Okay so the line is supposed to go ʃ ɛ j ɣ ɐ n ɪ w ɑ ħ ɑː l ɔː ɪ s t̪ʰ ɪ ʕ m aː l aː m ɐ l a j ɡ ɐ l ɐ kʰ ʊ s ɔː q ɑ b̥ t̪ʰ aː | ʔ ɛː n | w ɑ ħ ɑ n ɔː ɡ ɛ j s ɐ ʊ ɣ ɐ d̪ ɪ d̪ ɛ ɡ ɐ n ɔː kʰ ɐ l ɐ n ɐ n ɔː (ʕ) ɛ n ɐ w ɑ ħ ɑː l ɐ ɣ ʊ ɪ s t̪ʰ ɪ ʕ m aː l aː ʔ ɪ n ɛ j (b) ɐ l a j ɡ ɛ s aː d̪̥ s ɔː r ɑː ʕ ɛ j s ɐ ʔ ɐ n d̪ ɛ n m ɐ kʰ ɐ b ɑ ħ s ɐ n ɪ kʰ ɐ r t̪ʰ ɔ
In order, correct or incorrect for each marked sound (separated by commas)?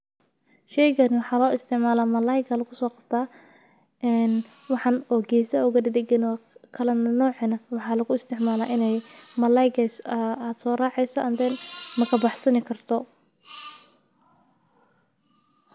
correct, incorrect